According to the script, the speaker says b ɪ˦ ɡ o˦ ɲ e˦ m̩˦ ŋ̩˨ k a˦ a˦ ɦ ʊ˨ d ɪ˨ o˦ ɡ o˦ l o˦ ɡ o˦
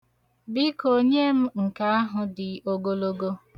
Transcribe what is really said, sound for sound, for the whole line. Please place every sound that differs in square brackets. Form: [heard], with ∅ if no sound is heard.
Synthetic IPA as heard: b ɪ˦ [k] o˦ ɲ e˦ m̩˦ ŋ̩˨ k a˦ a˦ ɦ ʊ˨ d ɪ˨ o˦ ɡ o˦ l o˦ ɡ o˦